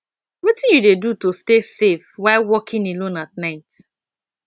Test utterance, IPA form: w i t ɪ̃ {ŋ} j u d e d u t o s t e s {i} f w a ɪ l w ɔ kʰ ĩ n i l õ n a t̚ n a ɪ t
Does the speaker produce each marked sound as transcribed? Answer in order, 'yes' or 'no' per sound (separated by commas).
no, no